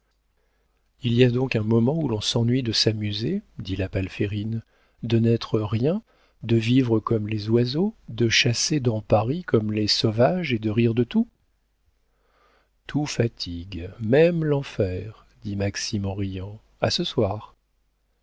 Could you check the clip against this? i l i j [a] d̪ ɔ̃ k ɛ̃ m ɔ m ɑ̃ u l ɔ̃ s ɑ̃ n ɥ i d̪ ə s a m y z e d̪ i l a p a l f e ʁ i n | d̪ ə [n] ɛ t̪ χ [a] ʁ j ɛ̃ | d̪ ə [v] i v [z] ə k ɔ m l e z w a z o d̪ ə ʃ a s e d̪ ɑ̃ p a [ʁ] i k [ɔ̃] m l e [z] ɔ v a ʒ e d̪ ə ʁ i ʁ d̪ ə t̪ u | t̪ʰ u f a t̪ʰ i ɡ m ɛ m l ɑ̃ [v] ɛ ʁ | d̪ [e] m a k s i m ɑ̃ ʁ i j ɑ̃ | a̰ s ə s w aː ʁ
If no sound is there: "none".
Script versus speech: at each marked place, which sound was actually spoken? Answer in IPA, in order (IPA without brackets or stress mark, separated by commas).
a, n, ə, v, ʁ, ʁ, ɔ, s, f, i